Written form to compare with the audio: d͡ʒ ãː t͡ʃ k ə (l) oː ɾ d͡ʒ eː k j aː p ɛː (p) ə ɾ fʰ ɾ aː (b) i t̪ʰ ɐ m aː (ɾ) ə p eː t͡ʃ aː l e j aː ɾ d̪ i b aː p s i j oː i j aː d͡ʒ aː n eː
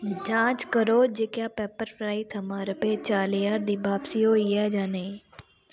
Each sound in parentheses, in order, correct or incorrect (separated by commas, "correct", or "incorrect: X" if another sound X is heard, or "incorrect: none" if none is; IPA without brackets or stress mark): incorrect: ɾ, correct, incorrect: none, correct